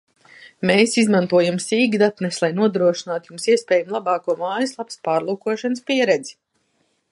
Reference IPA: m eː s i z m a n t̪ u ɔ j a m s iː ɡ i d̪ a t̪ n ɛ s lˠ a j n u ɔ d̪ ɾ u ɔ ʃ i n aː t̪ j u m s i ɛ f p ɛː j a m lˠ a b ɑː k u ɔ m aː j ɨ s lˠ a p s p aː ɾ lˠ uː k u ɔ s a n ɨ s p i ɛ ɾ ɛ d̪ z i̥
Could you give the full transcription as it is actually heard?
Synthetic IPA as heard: m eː s i z m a n t̪ u ɔ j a m s iː ɡ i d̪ a t̪ n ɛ s lˠ a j n u ɔ d̪ ɾ u ɔ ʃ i n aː t̪ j u m s i ɛ s p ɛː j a m lˠ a b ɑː k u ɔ m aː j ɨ s lˠ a p s p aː ɾ lˠ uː k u ɔ ʃ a n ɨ s p i ɛ ɾ ɛ d̪ z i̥